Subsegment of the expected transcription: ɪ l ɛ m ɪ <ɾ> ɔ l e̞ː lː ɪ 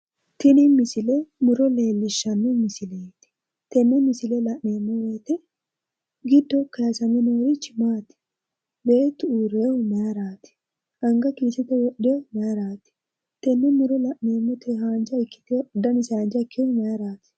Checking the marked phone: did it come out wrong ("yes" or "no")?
no